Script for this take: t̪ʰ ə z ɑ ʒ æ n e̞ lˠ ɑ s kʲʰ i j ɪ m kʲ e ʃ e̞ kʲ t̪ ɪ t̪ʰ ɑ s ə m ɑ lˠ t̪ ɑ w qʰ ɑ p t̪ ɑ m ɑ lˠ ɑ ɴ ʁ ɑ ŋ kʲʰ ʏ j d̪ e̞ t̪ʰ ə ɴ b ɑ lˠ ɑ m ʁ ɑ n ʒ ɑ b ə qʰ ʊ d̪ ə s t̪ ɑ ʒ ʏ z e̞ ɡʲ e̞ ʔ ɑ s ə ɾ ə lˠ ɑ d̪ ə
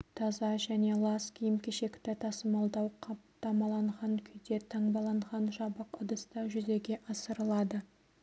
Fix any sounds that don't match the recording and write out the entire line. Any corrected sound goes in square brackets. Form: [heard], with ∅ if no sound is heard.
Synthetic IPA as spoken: t̪ʰ [ɑ] z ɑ ʒ æ n e̞ lˠ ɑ s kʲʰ i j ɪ m kʲ e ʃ e̞ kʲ t̪ ɪ t̪ʰ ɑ s ə m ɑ lˠ [d̪] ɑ w qʰ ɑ p t̪ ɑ m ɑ lˠ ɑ ɴ ʁ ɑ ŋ kʲʰ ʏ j d̪ e̞ t̪ʰ [ɑ] ɴ b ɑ lˠ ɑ [ɴ] ʁ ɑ n ʒ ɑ b ə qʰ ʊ d̪ ə s t̪ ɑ ʒ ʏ z e̞ ɡʲ e̞ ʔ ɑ s ə ɾ ə lˠ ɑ d̪ ə